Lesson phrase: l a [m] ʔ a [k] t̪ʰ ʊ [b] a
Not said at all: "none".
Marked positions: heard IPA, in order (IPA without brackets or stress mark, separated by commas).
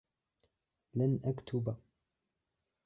n, k, b